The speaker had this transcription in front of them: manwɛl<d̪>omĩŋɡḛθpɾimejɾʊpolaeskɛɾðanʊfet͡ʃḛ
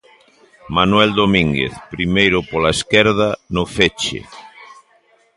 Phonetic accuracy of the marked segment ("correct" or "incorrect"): correct